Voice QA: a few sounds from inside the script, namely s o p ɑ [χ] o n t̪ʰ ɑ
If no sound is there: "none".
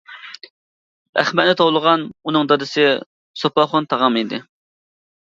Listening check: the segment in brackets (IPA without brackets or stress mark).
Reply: χ